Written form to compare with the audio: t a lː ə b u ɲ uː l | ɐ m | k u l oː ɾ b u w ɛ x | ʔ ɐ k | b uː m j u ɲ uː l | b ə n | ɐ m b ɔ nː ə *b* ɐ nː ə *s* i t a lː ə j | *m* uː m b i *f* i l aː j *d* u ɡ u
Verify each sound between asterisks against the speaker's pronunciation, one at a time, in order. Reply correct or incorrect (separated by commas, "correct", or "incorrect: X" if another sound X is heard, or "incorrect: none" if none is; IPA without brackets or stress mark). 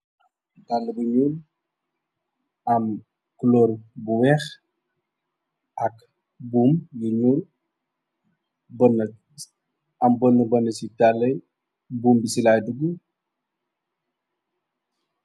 correct, correct, incorrect: b, incorrect: s, correct